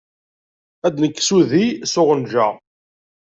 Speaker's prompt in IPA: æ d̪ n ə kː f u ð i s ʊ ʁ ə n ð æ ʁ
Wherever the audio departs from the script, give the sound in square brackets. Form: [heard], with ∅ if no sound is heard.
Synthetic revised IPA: æ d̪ n ə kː [s] u ð i s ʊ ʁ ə n [ʒ] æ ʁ